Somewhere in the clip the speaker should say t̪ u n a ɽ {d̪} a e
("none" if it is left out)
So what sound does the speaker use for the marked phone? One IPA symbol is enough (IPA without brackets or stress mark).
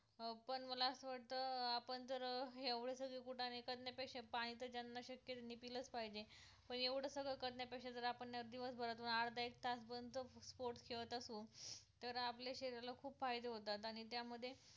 d̪